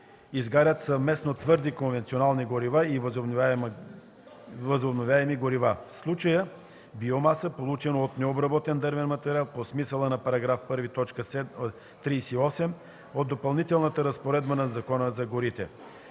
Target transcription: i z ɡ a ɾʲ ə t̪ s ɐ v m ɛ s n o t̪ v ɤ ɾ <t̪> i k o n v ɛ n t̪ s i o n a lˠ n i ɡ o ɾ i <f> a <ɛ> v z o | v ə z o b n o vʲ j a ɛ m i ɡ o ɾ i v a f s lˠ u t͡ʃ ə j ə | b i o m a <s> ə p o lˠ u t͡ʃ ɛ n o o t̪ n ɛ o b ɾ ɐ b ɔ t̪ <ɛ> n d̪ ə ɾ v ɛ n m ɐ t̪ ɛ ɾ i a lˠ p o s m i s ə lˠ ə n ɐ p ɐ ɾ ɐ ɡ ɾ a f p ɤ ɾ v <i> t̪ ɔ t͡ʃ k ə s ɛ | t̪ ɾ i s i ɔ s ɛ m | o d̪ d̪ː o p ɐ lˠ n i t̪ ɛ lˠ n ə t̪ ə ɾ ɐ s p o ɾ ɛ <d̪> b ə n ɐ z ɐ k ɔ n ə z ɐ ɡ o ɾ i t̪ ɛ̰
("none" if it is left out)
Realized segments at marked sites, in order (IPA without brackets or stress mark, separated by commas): d̪, v, i, s, ɛ, i, d̪